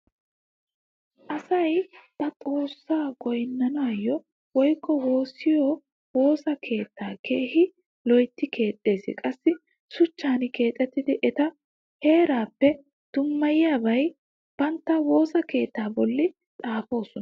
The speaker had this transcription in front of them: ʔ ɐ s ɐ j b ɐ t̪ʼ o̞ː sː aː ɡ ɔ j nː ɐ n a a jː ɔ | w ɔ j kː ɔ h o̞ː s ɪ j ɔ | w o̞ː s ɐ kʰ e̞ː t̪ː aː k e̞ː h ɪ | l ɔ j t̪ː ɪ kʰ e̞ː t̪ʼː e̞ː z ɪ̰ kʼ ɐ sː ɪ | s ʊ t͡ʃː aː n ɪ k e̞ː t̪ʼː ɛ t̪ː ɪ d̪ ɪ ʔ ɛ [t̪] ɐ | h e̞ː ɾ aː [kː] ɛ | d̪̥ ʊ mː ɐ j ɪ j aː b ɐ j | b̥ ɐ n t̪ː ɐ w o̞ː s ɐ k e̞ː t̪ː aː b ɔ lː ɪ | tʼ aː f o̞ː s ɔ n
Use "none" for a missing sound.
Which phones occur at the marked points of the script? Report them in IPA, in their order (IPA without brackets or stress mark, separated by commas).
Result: t̪, pː